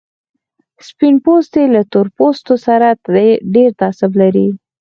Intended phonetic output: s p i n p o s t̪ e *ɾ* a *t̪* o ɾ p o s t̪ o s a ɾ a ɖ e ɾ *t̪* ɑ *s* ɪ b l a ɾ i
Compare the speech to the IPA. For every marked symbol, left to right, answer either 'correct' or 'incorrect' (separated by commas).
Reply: incorrect, correct, correct, correct